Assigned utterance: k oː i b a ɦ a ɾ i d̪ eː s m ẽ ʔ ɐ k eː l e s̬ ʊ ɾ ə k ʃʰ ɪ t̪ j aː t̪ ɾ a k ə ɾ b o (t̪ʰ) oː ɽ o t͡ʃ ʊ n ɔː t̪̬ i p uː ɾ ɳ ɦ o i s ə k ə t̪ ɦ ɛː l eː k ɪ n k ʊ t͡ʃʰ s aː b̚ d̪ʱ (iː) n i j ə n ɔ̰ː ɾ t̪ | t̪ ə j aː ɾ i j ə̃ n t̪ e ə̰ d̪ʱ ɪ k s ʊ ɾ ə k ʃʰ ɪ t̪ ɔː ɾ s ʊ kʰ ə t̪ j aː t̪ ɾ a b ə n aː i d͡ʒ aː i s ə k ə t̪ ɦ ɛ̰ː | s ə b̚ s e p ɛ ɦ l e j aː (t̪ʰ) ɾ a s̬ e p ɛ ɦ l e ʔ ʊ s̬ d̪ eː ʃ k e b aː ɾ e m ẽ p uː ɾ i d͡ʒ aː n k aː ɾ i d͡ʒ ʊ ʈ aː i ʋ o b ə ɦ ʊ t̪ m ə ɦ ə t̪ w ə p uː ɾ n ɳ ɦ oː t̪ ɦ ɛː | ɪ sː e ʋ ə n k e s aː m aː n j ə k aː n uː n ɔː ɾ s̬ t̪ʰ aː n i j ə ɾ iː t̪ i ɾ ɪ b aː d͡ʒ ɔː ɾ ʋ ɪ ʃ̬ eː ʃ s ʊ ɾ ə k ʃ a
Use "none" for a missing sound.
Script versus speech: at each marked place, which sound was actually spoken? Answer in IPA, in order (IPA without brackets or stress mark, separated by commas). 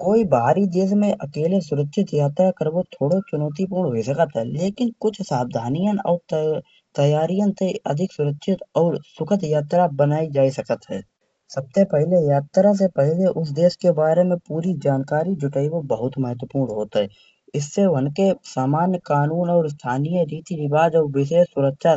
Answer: t̪ʰ, aː, t̪